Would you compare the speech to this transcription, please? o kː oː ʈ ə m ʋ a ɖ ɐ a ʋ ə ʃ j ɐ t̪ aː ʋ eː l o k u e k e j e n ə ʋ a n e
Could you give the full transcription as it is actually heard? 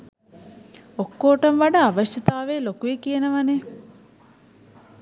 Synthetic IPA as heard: o kː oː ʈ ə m ʋ a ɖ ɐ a ʋ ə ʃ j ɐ t̪ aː ʋ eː l o k u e k i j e n ə ʋ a n e